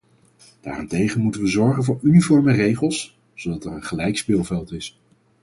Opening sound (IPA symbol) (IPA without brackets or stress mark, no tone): d̥